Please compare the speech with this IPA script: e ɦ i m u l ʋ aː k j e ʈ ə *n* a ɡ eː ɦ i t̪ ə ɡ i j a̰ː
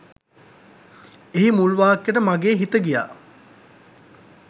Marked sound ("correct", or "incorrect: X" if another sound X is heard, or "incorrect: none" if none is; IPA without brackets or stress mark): incorrect: m